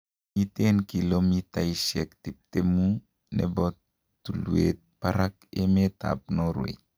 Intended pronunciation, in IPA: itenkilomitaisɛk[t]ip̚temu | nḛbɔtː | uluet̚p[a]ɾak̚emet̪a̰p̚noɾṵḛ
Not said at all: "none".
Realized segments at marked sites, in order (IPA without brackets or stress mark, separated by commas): t, a